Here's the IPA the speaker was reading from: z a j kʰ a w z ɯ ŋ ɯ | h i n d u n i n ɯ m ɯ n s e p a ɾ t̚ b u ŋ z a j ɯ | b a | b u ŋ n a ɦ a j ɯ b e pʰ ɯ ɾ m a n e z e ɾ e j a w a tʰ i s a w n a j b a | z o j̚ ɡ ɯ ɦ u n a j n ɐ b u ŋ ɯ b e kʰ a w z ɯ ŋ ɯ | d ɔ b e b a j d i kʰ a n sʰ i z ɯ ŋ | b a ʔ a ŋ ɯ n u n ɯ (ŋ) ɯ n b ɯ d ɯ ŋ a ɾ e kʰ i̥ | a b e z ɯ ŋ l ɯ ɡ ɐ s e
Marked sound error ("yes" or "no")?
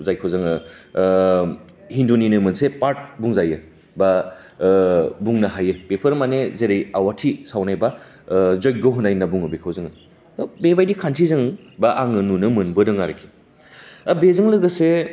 yes